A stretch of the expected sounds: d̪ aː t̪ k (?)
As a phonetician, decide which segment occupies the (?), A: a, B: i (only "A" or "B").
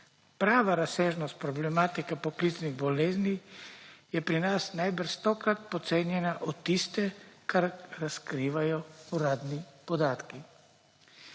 B